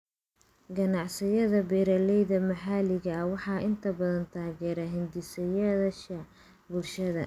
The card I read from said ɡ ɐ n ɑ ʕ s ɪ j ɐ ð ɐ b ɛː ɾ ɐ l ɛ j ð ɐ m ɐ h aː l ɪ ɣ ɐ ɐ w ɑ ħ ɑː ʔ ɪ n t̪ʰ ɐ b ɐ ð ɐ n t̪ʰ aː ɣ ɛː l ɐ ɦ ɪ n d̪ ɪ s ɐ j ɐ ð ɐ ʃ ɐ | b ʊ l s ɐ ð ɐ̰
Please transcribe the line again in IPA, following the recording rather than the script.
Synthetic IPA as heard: ɡ ɐ n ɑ ʕ s ɪ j ɐ ð ɐ b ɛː ɾ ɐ l ɛ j ð ɐ m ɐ ħ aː l ɪ ɣ ɐ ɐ w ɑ ħ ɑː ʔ ɪ n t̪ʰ ɐ b ɐ ð ɐ n t̪ʰ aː ɣ ɛː ɾ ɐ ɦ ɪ n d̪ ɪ s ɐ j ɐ ð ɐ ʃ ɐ | b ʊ l ʃ ɐ ð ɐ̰